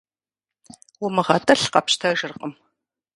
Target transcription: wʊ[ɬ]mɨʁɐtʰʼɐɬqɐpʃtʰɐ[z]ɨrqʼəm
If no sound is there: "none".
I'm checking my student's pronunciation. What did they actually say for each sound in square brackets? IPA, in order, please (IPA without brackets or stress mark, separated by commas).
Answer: none, ʒ